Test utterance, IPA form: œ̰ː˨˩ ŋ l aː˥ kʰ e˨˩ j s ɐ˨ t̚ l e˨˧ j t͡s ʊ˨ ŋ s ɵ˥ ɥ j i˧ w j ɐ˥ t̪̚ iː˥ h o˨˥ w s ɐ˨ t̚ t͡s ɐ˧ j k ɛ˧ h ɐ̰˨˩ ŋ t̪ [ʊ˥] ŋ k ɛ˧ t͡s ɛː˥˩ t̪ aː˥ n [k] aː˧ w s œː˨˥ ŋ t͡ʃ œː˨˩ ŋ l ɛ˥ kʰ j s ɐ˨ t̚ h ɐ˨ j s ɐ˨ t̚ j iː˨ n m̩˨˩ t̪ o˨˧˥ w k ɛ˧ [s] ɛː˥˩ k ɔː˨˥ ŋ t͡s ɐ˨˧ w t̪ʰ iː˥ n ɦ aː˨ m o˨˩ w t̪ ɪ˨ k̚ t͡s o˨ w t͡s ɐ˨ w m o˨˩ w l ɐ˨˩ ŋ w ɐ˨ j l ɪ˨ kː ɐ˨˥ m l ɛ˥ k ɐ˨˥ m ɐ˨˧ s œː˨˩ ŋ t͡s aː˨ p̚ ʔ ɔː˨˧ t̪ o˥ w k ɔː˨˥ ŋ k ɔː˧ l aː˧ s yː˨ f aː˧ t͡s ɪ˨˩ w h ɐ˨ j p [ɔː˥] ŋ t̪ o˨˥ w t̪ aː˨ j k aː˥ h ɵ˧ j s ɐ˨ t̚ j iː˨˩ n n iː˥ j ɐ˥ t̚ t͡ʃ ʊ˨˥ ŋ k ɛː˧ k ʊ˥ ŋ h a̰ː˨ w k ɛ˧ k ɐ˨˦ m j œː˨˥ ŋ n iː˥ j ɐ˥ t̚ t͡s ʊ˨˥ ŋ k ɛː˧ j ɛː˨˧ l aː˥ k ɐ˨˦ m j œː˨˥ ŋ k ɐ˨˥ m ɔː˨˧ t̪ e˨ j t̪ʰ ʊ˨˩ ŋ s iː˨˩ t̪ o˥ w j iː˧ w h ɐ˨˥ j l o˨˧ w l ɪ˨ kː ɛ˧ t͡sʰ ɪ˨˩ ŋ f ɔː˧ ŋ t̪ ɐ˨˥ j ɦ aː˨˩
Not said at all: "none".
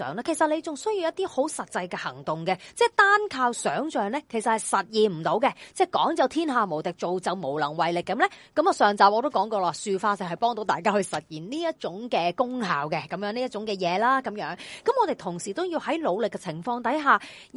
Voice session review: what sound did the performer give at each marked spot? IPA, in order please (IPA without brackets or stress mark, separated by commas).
ʊ˨, kʰ, t͡s, ɔː˥